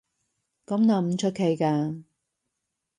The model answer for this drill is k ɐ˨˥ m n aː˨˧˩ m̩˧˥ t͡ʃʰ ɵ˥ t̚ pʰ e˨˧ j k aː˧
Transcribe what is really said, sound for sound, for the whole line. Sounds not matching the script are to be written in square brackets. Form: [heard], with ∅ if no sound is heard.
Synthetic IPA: k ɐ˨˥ m n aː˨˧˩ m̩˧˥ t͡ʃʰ ɵ˥ t̚ [kʰ] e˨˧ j k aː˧